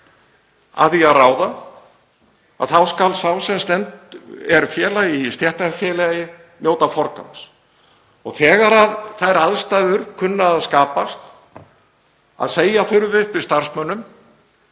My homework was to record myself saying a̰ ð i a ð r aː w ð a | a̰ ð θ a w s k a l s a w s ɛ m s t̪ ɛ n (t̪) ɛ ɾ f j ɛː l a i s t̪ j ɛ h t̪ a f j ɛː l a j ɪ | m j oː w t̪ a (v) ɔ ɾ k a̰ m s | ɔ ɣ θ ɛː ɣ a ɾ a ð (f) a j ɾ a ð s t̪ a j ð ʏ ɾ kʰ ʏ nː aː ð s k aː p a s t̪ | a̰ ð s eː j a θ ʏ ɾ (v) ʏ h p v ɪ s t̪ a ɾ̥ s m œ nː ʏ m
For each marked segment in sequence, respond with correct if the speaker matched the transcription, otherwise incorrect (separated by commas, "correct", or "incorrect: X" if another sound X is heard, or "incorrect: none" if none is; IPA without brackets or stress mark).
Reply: correct, incorrect: f, incorrect: θ, correct